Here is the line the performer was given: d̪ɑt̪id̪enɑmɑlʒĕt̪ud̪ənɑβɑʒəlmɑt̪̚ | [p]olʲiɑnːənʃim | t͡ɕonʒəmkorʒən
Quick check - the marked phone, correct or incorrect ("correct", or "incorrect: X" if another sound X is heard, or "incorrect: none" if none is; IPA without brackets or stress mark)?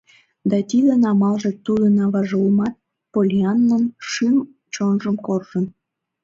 correct